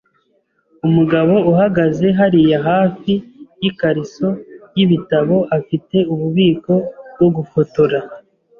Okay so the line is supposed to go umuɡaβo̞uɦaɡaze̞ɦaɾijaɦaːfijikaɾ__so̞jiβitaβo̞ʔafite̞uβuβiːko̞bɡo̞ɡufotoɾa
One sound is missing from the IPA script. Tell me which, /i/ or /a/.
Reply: i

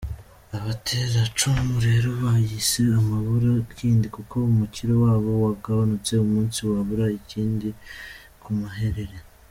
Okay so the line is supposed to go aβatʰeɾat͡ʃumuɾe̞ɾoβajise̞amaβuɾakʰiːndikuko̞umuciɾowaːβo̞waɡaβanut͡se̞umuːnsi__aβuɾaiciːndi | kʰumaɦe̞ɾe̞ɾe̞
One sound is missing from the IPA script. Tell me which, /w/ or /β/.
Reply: w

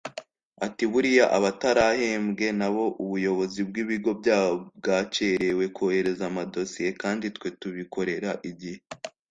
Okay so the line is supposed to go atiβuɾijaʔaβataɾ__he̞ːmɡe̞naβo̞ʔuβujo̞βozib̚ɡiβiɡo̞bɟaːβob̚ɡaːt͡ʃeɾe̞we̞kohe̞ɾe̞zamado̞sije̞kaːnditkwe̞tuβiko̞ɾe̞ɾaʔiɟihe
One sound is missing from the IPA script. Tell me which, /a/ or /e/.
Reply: a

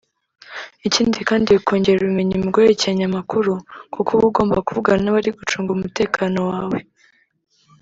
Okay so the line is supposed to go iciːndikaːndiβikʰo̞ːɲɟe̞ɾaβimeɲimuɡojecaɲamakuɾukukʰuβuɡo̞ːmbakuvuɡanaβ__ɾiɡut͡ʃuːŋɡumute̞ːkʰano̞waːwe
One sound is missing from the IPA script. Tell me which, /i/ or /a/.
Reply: a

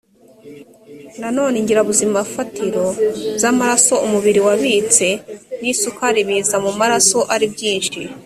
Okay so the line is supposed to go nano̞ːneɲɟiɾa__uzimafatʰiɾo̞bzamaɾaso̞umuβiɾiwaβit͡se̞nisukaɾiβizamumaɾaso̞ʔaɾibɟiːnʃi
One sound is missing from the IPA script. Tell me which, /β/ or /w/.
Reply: β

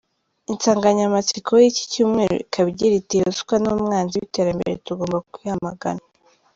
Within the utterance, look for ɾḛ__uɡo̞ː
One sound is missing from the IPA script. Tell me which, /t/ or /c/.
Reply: t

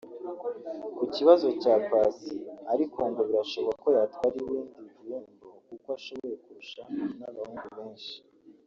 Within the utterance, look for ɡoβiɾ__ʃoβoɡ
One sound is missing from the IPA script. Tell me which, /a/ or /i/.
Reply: a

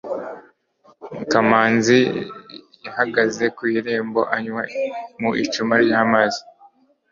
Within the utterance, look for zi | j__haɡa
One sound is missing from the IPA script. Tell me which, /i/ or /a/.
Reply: a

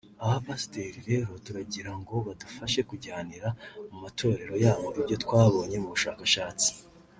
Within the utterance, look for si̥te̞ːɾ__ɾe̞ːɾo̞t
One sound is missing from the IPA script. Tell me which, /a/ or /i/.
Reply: i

